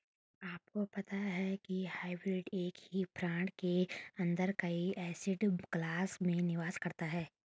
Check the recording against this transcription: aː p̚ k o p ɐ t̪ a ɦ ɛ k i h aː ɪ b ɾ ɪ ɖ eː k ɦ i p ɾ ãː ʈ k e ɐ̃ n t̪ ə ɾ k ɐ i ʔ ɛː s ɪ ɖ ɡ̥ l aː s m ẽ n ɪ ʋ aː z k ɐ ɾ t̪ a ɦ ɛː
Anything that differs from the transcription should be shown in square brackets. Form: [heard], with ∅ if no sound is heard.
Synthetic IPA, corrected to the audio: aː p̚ k o p ɐ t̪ a ɦ ɛ k i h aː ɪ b ɾ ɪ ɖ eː k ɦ i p ɾ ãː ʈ k e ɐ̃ n [d̪] ə ɾ k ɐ i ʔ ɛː s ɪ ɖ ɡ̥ l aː s m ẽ n ɪ ʋ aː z k ɐ ɾ t̪ a ɦ ɛː